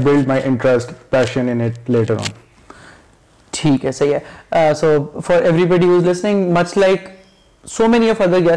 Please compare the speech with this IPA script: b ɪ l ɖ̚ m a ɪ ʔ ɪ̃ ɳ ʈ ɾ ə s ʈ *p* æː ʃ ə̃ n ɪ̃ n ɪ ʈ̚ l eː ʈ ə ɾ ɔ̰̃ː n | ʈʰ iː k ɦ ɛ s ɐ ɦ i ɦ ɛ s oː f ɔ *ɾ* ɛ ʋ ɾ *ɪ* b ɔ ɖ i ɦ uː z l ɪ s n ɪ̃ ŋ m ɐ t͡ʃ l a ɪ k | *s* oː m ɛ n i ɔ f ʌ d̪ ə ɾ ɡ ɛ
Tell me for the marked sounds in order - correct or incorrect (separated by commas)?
correct, correct, incorrect, correct